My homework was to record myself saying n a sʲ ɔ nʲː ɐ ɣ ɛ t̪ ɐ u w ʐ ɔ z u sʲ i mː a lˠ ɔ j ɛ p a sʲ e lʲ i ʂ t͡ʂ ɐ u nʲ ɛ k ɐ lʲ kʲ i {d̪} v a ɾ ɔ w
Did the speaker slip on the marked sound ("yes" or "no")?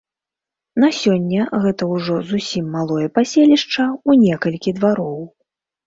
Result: no